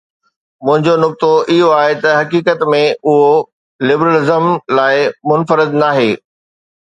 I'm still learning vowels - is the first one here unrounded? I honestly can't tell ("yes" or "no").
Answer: no